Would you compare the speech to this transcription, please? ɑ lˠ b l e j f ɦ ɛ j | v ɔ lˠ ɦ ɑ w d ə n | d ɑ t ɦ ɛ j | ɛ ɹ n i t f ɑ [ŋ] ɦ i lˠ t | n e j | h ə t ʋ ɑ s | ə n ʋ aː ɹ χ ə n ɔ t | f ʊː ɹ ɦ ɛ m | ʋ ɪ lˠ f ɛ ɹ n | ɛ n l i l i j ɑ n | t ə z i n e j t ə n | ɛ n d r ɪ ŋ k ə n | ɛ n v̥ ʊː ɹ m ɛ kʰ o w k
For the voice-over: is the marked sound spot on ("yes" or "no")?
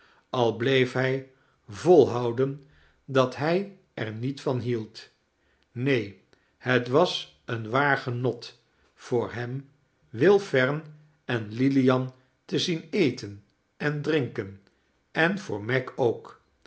no